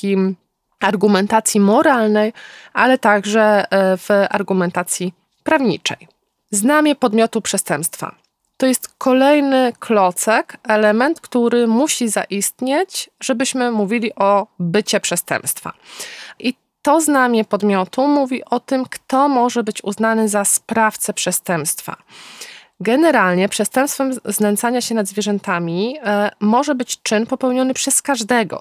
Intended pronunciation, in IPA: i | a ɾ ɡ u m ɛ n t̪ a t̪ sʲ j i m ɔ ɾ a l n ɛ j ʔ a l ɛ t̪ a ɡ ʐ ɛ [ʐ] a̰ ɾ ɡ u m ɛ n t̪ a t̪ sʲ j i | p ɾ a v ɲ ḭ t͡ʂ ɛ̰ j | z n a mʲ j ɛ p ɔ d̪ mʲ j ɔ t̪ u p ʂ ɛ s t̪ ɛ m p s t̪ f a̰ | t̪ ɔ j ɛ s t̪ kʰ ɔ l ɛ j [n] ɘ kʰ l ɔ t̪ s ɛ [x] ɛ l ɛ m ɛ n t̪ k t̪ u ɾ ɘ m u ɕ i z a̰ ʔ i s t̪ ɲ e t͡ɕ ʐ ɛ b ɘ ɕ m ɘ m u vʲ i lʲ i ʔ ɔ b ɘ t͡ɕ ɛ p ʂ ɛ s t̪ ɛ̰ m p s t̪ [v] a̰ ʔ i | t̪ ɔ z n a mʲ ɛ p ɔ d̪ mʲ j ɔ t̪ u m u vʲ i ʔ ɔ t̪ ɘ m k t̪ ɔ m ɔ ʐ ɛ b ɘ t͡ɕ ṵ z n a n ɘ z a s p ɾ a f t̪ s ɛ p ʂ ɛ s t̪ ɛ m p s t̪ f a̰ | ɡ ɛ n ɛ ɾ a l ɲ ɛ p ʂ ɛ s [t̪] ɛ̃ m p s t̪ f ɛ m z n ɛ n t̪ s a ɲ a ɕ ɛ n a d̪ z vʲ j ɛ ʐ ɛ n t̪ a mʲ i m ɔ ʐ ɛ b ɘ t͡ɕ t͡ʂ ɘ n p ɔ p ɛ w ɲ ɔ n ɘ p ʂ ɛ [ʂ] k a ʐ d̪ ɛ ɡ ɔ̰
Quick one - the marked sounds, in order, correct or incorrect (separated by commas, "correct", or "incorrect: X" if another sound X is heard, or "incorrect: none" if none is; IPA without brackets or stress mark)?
incorrect: v, correct, incorrect: k, incorrect: f, correct, incorrect: s